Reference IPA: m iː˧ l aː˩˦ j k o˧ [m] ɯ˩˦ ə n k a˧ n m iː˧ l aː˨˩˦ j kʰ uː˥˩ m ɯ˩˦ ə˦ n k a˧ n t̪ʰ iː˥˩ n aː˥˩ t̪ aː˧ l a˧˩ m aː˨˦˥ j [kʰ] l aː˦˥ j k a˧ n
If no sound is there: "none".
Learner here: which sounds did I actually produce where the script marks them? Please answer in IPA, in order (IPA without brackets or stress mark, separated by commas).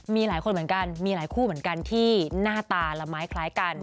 m, kʰ